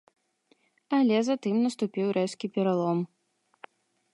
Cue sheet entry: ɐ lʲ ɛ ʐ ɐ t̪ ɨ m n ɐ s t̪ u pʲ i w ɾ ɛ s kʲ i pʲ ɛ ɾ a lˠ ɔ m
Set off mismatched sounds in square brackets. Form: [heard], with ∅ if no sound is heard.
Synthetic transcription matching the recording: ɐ lʲ ɛ [z] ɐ t̪ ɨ m n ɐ s t̪ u pʲ i w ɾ ɛ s kʲ i pʲ ɛ ɾ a lˠ ɔ m